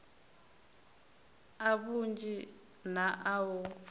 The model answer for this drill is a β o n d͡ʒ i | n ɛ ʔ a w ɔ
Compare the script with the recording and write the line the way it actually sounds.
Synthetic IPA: a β u n d͡ʒ i | n a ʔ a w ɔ